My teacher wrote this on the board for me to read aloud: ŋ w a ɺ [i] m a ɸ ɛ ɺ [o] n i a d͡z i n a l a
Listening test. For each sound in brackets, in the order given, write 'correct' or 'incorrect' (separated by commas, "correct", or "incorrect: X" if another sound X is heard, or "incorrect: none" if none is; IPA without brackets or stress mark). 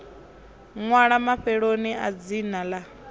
incorrect: a, correct